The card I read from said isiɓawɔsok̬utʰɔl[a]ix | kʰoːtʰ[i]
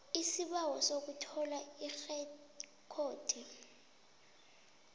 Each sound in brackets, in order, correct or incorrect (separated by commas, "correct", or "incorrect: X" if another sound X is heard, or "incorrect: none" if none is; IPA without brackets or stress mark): correct, correct